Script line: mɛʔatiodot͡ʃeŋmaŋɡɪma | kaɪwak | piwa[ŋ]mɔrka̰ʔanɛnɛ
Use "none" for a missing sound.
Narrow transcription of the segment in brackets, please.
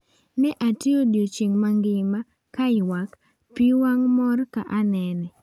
ŋ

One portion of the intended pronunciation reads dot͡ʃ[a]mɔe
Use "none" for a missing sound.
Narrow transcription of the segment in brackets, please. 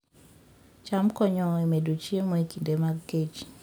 e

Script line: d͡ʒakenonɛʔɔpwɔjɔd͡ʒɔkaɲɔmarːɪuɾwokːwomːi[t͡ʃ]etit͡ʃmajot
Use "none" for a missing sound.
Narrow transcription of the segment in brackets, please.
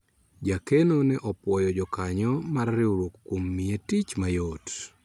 none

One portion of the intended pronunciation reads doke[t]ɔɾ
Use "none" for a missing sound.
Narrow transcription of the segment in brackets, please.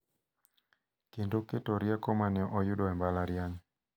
t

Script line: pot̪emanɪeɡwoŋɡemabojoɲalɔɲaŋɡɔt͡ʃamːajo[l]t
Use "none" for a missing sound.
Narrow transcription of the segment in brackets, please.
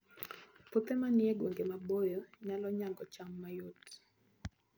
none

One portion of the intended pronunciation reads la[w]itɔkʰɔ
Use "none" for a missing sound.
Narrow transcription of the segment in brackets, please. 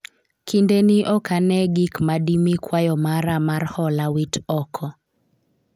w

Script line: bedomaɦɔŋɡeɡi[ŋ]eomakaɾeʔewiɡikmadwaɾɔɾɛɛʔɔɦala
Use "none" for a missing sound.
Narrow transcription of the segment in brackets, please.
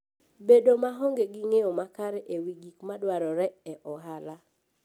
ŋ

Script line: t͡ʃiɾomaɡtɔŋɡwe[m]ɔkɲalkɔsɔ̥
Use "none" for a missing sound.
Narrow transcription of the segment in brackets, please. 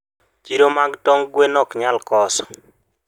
n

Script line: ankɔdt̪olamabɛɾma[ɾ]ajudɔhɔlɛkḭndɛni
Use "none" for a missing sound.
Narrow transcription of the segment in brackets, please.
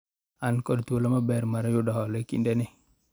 ɾ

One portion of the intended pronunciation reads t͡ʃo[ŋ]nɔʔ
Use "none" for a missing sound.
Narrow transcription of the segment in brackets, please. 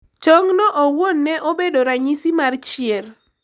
ŋ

